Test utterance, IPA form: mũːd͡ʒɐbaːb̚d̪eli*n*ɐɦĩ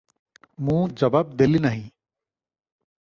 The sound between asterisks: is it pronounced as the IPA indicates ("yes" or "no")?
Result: yes